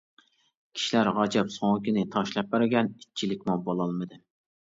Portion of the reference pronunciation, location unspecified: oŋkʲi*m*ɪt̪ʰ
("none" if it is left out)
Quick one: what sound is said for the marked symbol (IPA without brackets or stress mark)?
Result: n